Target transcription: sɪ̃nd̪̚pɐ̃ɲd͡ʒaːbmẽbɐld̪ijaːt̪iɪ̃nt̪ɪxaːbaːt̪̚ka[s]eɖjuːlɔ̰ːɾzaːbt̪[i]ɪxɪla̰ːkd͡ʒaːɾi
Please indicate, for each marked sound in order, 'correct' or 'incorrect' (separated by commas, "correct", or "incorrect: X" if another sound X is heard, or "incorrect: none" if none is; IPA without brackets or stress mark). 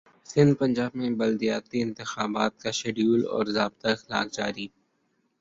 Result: incorrect: ʃ, incorrect: a